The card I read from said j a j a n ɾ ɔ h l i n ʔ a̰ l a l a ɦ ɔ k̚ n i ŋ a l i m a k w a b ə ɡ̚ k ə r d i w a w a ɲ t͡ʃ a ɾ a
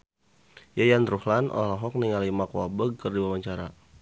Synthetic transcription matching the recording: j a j a n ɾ u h l a n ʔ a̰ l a l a ɦ ɔ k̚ n i ŋ a l i m a k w a b ə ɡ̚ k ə r d i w a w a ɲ t͡ʃ a ɾ a

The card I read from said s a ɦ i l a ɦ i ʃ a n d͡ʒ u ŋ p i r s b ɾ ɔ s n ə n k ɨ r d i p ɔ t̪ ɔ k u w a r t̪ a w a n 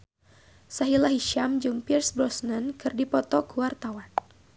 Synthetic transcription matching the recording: s a ɦ i l a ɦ i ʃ a m d͡ʒ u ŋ p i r s b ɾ ɔ s n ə n k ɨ r d i p ɔ t̪ ɔ k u w a r t̪ a w a n

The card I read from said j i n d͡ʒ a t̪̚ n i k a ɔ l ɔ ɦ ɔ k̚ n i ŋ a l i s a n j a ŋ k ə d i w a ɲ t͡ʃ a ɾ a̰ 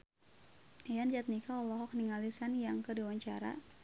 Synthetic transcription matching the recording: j a n d͡ʒ a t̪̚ n i k a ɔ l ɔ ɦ ɔ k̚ n i ŋ a l i s a n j a ŋ k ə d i w a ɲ t͡ʃ a ɾ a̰

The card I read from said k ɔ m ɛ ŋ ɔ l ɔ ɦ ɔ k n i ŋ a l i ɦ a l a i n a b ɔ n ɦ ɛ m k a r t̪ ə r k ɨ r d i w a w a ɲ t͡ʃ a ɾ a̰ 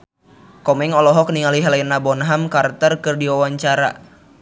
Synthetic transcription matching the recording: k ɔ m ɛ ŋ ɔ l ɔ ɦ ɔ k n i ŋ a l i ɦ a l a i n a b ɔ n ɦ a m k a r t̪ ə r k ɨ r d i w a w a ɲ t͡ʃ a ɾ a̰

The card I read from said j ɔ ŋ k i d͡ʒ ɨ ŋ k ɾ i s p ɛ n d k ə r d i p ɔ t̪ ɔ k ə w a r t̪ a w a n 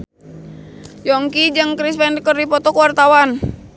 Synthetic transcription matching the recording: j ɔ ŋ k i d͡ʒ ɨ ŋ k ɾ i s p ɛ n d k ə r d i p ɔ t̪ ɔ k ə w a r t̪ a w a n

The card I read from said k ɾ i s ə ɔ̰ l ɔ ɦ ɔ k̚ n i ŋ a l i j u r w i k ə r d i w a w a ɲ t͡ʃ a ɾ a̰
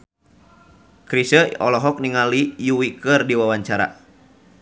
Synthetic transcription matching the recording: k ɾ i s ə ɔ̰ l ɔ ɦ ɔ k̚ n i ŋ a l i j u w i k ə r d i w a w a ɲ t͡ʃ a ɾ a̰

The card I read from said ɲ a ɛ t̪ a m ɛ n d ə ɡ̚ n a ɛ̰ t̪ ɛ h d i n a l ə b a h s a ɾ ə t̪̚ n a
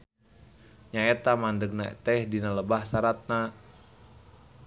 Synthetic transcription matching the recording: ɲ a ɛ t̪ a m a n d ə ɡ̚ n a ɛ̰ t̪ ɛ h d i n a l ə b a h s a ɾ a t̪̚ n a

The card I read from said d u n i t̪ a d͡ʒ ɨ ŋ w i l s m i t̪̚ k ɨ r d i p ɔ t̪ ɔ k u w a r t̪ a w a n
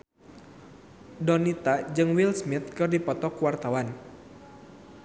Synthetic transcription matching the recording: d ɔ n i t̪ a d͡ʒ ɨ ŋ w i l s m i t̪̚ k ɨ r d i p ɔ t̪ ɔ k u w a r t̪ a w a n

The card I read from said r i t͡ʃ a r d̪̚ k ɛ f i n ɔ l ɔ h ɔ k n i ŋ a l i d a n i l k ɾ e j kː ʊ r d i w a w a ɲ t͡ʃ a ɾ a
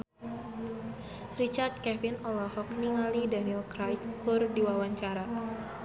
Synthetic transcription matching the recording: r i t͡ʃ a r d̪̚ k ɛ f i n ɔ l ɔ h ɔ k n i ŋ a l i d a n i l k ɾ a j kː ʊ r d i w a w a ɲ t͡ʃ a ɾ a

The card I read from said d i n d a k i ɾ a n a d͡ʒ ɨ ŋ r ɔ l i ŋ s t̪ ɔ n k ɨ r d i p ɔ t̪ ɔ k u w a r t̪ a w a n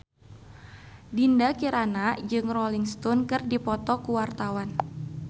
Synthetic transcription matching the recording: d i n d a k i ɾ a n a d͡ʒ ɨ ŋ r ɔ l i ŋ s t̪ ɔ n k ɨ r d i p ɔ t̪ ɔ k u w a r t̪ a w a n

